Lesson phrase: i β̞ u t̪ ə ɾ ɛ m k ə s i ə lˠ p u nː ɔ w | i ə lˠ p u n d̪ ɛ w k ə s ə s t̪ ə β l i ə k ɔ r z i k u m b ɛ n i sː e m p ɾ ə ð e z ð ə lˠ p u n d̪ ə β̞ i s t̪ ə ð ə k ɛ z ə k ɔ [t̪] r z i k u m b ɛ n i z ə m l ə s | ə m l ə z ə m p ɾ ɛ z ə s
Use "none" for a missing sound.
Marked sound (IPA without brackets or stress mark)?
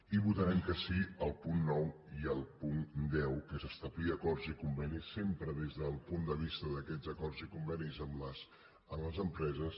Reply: none